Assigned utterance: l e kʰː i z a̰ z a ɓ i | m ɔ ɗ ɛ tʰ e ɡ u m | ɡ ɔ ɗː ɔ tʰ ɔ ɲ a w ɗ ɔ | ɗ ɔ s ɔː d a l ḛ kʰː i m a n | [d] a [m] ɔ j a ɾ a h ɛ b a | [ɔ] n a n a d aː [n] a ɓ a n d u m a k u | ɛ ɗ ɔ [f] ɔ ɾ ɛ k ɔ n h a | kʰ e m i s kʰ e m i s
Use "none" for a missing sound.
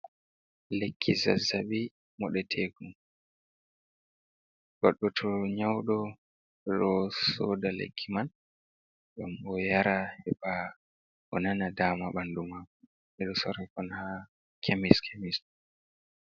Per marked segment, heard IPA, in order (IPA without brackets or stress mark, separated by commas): ɡ, m, ɔ, m, s